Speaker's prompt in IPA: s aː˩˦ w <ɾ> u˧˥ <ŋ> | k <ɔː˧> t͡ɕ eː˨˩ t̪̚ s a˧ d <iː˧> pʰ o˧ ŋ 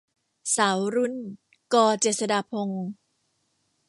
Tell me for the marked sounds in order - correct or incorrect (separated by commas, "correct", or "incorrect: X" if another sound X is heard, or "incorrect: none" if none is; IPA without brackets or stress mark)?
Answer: correct, incorrect: n, correct, incorrect: aː˧